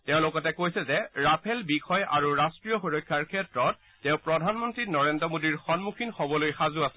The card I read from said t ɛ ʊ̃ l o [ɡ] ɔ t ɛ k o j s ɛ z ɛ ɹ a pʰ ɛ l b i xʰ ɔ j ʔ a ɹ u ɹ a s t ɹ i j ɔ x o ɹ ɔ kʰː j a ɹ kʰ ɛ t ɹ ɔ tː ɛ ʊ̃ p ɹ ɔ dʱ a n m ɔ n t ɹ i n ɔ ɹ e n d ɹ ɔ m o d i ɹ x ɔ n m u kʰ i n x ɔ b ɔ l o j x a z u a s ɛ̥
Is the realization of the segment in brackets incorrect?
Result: yes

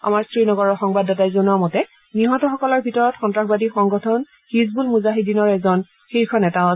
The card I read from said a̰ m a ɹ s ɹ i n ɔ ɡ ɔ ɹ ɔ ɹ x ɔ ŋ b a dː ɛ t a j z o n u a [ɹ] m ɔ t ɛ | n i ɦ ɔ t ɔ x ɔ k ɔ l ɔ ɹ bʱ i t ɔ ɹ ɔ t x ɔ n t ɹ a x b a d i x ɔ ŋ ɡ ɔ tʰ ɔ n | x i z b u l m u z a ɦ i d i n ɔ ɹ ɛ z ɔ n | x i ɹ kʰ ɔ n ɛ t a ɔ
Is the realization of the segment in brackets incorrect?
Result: yes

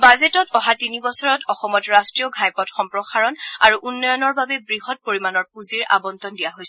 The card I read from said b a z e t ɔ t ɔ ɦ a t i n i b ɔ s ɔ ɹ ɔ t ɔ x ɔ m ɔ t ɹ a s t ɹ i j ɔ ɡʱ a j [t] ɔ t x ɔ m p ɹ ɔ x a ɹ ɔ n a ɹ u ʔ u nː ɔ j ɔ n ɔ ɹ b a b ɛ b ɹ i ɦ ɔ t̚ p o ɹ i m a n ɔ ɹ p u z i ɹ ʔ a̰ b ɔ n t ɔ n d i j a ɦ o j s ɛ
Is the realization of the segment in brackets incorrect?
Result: yes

